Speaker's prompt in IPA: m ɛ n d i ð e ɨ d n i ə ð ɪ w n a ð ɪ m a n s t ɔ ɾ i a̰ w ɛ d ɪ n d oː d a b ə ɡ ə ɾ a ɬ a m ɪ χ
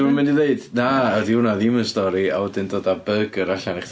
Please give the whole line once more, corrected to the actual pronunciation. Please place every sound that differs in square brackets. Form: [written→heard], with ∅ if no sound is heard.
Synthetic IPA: m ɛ n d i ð e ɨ d n [i→a] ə ð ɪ w n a ð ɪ m [a→ə] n s t ɔ ɾ i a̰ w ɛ d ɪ n d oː d a b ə ɡ ə ɾ a ɬ a [m→n] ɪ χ